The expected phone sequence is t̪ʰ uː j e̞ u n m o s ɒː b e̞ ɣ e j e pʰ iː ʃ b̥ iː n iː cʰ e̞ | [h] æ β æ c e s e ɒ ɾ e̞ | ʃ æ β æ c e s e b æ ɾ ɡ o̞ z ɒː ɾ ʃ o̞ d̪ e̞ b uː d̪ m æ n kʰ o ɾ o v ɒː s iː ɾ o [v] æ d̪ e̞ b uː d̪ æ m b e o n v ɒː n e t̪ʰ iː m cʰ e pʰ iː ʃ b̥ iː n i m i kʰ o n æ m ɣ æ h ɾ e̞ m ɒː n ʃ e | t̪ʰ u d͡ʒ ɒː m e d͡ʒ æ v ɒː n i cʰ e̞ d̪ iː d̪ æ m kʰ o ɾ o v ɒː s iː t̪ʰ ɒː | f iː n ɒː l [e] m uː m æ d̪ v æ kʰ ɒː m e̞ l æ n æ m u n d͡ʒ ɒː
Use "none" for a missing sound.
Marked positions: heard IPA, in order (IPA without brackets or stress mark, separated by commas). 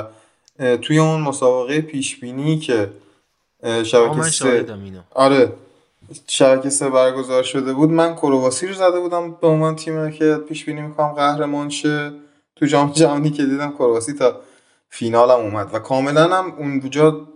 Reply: ʃ, z, æ